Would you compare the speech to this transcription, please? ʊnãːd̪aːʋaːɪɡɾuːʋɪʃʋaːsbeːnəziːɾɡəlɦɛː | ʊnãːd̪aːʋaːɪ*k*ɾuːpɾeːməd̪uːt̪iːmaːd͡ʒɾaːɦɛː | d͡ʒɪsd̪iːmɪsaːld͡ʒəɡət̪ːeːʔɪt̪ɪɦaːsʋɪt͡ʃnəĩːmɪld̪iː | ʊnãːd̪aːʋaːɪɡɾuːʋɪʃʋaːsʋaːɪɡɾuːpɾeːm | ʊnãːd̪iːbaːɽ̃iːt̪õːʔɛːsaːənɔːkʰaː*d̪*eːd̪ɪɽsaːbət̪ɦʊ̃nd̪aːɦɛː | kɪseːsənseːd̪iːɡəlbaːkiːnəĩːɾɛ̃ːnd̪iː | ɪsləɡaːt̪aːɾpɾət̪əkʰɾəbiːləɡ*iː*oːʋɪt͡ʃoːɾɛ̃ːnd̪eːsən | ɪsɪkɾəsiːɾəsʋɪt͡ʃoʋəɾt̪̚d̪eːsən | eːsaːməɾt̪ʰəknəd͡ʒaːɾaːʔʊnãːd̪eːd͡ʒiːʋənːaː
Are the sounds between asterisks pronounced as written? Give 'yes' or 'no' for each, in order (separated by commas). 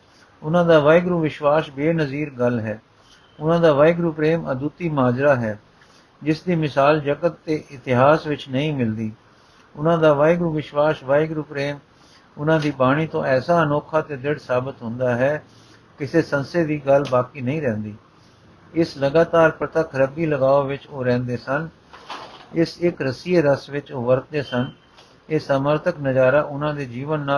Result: no, no, no